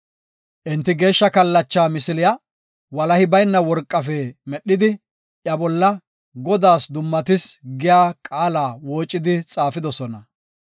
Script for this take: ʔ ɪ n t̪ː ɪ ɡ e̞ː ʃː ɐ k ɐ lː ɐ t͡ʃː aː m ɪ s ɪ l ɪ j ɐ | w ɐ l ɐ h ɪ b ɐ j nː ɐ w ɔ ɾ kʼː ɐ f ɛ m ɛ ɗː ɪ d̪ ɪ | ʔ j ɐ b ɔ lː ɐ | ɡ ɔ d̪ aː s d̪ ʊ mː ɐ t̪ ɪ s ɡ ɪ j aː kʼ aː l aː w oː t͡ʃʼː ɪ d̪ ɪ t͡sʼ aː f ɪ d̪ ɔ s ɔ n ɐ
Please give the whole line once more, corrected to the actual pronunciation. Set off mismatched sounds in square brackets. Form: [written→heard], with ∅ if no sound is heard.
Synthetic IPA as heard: ʔ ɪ n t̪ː ɪ ɡ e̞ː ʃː ɐ k ɐ lː ɐ t͡ʃː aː m ɪ s ɪ l ɪ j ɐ | w ɐ l ɐ h ɪ b ɐ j nː ɐ w ɔ ɾ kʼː ɐ f ɛ m ɛ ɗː ɪ d̪ ɪ | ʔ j ɐ b ɔ lː ɐ | ɡ ɔ d̪ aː s d̪ ʊ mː ɐ t̪ ɪ s ɡ ɪ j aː kʼ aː l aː w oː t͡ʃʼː ɪ d̪ ɪ t͡sʼ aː f ɪ d̪ ɔ s ɔ n ɐ